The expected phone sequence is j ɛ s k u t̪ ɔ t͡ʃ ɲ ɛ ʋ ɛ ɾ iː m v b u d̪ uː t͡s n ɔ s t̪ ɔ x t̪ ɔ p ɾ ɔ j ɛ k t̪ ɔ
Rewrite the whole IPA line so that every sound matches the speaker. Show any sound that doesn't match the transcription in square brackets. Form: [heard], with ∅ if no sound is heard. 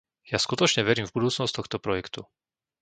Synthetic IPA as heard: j [a] s k u t̪ ɔ t͡ʃ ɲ ɛ ʋ ɛ ɾ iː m v b u d̪ uː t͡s n ɔ s t̪ ɔ x t̪ ɔ p ɾ ɔ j ɛ k t̪ [u]